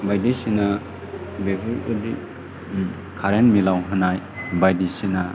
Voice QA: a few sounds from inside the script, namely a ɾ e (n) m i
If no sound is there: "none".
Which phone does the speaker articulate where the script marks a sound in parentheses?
n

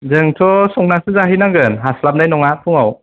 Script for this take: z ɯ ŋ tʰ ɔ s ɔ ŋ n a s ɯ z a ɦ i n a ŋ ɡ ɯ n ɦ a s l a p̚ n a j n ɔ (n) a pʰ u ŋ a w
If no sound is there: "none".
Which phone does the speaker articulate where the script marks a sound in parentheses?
ŋ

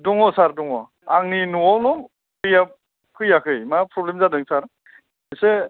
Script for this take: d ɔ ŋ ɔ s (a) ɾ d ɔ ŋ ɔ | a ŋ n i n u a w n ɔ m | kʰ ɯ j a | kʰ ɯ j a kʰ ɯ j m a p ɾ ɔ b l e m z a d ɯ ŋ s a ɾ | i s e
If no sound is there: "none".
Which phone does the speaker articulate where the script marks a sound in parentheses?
a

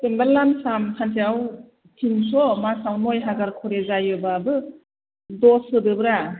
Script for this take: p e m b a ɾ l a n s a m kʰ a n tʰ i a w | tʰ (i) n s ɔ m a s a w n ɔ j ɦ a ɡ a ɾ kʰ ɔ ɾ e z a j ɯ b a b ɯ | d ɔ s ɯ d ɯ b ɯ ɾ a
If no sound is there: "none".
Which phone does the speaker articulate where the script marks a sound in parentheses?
i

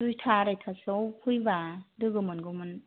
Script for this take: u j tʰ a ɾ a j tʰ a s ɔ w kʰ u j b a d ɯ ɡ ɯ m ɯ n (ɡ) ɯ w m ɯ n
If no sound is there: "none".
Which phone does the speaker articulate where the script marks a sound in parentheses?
ɡ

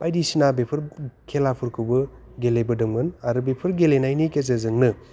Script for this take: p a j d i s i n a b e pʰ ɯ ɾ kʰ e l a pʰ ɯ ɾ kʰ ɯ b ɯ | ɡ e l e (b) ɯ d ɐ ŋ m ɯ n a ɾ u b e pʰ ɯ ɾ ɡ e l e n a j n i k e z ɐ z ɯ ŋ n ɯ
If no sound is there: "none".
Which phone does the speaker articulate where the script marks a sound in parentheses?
b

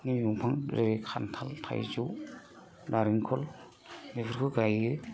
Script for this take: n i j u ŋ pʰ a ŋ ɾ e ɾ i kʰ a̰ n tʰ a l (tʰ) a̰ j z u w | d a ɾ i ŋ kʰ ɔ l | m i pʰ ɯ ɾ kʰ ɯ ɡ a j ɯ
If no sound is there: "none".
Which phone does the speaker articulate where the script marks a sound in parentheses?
tʰ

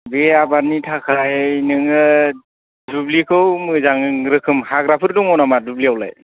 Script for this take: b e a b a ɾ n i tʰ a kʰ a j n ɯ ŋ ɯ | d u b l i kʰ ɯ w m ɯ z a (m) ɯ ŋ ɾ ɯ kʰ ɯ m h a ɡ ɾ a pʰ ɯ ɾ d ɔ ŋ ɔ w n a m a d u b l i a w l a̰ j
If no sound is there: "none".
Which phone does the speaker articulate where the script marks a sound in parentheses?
ŋ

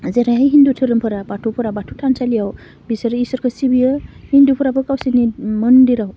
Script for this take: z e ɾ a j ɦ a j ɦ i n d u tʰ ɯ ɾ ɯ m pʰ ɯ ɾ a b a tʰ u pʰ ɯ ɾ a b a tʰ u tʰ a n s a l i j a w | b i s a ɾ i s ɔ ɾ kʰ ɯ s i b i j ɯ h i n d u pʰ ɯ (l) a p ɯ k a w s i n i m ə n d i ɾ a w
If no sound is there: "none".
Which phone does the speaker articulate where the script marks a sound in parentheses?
ɾ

